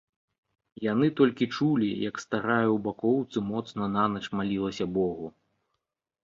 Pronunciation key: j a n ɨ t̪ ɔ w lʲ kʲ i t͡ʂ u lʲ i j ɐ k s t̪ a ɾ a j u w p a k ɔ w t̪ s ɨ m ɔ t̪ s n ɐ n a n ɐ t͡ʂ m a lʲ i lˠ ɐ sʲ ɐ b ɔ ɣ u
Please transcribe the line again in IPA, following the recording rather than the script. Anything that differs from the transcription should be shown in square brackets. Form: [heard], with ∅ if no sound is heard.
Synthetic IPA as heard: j a n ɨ t̪ ɔ [∅] lʲ kʲ i t͡ʂ u lʲ i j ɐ k s t̪ a ɾ a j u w [b] a k ɔ w t̪ s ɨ m ɔ t̪ s n ɐ n a n ɐ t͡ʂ m a lʲ i lˠ ɐ sʲ ɐ b ɔ ɣ u

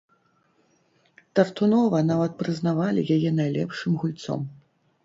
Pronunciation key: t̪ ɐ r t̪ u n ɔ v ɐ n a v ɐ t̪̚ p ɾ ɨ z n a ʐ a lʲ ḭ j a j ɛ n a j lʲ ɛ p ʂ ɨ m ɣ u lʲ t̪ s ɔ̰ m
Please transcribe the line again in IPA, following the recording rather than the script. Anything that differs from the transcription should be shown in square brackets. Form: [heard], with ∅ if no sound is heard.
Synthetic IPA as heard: t̪ ɐ r t̪ u n ɔ v ɐ n a v ɐ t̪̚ p ɾ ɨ z n a [v] a lʲ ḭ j a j ɛ n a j lʲ ɛ p ʂ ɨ m ɣ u lʲ t̪ s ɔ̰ m

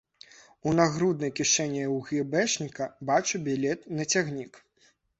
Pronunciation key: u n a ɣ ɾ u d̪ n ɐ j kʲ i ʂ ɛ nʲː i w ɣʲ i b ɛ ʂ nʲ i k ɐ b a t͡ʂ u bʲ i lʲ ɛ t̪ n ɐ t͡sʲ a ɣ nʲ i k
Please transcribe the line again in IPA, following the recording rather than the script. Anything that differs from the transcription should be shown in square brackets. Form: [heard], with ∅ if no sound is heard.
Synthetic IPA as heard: u n a ɣ ɾ u d̪ n ɐ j kʲ i ʂ ɛ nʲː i w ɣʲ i b ɛ ʂ nʲ i k ɐ b a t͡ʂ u bʲ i lʲ ɛ t̪ n ɐ t͡sʲ a ɣ nʲ i k

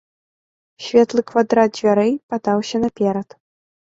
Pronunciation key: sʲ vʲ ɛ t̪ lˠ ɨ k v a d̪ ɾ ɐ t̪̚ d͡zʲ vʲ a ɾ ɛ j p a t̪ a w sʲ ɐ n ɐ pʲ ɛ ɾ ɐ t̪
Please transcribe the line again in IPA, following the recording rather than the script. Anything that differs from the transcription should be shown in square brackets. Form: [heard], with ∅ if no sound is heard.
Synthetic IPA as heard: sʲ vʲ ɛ t̪ lˠ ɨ k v a d̪ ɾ [a] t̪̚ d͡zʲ vʲ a ɾ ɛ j p a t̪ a w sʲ ɐ n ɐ pʲ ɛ ɾ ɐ t̪

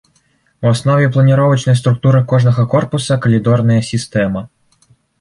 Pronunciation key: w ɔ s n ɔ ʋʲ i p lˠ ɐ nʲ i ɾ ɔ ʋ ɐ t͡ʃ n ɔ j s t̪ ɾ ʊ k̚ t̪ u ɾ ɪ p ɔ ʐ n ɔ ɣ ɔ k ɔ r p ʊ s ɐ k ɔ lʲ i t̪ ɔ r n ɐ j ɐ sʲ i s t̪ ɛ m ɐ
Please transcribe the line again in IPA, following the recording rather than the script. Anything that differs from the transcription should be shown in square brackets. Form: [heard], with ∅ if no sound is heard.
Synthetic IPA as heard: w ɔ s n ɔ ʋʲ i p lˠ ɐ nʲ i ɾ ɔ ʋ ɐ t͡ʃ n ɔ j s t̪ ɾ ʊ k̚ t̪ u ɾ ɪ [k] ɔ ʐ n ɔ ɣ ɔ k ɔ r p ʊ s ɐ k ɔ lʲ i [d̪] ɔ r n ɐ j ɐ sʲ i s t̪ ɛ m ɐ

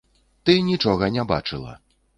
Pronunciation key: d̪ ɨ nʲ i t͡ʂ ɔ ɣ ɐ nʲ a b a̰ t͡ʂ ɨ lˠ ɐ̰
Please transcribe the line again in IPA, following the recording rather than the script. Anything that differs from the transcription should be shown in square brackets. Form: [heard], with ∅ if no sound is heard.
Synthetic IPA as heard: [t̪] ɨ nʲ i t͡ʂ ɔ ɣ ɐ nʲ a b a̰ t͡ʂ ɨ lˠ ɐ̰

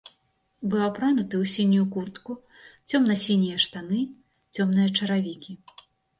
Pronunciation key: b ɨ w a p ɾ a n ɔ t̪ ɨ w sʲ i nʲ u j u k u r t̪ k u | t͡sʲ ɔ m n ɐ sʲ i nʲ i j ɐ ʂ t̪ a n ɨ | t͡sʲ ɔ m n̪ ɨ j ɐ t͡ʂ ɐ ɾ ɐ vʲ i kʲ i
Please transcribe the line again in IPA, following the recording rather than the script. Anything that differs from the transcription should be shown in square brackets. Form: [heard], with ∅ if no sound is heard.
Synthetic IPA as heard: b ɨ w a p ɾ a n [u] t̪ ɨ w sʲ i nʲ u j u k u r t̪ k u | t͡sʲ ɔ m n ɐ sʲ i nʲ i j ɐ ʂ t̪ a n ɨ | t͡sʲ ɔ m n̪ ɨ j ɐ t͡ʂ ɐ ɾ [a] vʲ i kʲ i

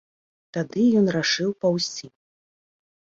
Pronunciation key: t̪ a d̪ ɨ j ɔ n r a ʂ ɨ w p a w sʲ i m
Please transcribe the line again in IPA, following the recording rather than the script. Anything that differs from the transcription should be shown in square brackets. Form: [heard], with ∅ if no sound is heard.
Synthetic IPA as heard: t̪ a d̪ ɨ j ɔ n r a ʂ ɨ w p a w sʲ i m

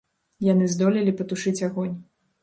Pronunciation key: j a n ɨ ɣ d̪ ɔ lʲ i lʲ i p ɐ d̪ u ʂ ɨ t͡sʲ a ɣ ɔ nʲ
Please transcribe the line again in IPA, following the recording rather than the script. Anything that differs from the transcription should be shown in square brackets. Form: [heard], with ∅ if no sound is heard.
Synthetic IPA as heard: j a n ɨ [z] d̪ ɔ lʲ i lʲ i p ɐ [t̪] u ʂ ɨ t͡sʲ a ɣ ɔ nʲ

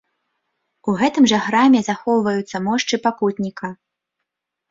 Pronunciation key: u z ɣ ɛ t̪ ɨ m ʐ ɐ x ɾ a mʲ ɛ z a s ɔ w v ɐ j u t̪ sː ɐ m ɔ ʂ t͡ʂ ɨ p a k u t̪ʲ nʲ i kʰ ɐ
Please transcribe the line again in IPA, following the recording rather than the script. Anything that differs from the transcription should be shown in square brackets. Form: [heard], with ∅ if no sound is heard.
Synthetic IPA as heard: u [∅] ɣ ɛ t̪ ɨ m ʐ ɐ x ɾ a mʲ ɛ z a [x] ɔ w v ɐ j u t̪ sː ɐ m ɔ ʂ t͡ʂ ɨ p a k u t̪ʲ nʲ i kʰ ɐ

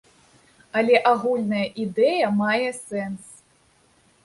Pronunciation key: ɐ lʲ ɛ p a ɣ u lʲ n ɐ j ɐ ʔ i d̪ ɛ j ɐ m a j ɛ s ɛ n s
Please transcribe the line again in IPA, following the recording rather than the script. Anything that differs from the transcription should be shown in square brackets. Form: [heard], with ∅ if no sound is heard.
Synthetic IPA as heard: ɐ lʲ ɛ [ʔ] a ɣ u lʲ n ɐ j ɐ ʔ i d̪ ɛ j ɐ m a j ɛ s ɛ n s

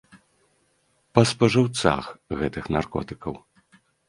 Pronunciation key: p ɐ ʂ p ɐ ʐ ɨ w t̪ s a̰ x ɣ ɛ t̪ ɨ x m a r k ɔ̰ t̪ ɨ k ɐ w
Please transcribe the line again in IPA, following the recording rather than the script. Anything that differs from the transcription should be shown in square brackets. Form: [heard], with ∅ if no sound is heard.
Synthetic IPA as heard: p ɐ [s] p ɐ ʐ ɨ w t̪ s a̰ x ɣ ɛ t̪ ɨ x [n] a r k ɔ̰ t̪ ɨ k ɐ w

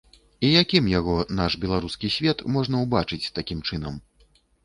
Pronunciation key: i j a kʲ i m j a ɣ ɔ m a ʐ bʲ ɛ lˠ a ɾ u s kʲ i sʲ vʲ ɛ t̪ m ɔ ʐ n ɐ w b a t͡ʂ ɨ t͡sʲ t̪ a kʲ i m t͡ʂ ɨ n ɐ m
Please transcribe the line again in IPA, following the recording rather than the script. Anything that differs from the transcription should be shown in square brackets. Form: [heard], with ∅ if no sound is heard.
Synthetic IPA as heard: i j a kʲ i m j a ɣ ɔ [n] a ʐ bʲ ɛ lˠ a ɾ u s kʲ i sʲ vʲ ɛ t̪ m ɔ ʐ n ɐ w b a t͡ʂ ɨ t͡sʲ t̪ a kʲ i m t͡ʂ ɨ n ɐ m

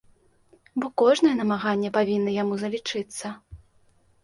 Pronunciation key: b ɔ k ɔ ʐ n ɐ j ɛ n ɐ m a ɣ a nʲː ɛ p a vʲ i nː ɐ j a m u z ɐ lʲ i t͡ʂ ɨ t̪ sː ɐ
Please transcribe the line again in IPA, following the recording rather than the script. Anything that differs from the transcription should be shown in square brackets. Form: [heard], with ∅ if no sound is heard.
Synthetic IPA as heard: b ɔ k ɔ ʐ n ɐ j ɛ n ɐ m a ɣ a nʲː ɛ p a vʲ i nː ɐ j a m u z ɐ lʲ i t͡ʂ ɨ t̪ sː ɐ

